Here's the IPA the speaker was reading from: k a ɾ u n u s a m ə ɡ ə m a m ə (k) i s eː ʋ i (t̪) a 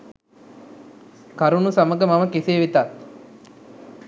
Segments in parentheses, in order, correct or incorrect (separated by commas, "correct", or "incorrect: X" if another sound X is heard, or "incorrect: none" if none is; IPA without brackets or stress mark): correct, correct